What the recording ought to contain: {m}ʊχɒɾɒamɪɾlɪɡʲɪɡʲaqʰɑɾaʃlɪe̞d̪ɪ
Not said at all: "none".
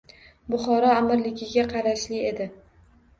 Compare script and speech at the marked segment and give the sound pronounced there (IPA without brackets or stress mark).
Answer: b